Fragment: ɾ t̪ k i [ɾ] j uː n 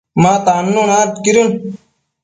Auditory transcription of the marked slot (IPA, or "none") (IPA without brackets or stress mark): ɾ